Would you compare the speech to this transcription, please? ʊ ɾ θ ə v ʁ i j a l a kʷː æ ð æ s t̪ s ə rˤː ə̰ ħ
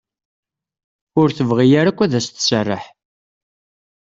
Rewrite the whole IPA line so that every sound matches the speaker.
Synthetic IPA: ʊ ɾ θ ə v ʁ i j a ɾ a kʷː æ ð æ s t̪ s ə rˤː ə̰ ħ

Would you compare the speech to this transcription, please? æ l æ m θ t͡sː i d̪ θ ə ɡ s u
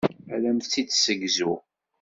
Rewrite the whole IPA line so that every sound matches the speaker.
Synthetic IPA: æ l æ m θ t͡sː i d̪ s ə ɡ z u

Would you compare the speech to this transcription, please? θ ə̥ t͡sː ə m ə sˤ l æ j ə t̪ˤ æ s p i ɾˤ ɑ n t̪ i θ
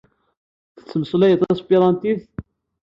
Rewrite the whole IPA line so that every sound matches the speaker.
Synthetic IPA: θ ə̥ t͡sː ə m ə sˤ l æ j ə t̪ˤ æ s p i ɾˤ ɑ n t̪ i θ

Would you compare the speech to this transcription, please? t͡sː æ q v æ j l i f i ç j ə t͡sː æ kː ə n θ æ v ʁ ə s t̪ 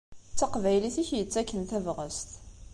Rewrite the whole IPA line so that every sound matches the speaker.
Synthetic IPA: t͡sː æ q v æ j l i θ i ç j ə t͡sː æ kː ə n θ æ v ʁ ə s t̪

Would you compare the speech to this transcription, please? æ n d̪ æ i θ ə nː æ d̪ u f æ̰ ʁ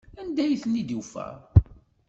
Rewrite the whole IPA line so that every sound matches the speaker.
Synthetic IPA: æ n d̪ æ j θ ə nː i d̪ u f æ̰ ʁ

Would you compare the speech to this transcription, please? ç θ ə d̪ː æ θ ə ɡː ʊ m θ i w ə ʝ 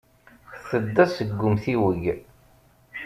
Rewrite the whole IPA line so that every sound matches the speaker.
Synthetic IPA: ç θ ə d̪ː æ s ə ɡː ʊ m θ i w ə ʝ

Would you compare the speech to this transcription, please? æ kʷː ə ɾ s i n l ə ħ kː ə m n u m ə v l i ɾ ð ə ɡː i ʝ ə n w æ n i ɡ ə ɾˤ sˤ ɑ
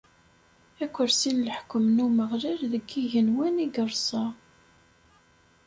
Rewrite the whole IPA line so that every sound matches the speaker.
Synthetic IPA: æ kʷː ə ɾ s i n l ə ħ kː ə m n u m ə ʁ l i ɾ ð ə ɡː i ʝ ə n w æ n i ɡ ə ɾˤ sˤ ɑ

